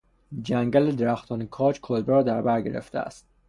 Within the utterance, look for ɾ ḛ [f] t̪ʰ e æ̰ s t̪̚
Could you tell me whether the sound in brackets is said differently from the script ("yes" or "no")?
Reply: no